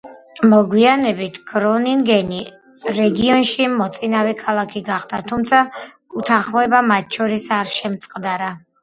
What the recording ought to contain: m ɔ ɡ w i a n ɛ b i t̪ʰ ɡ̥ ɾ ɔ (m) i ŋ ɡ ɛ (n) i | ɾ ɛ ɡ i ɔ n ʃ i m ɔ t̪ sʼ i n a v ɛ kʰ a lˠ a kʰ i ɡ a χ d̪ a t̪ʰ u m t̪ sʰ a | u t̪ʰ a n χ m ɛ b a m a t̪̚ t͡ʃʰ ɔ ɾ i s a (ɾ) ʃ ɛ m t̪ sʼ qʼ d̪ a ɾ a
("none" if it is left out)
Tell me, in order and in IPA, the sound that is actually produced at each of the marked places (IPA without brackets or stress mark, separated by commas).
n, n, ɾ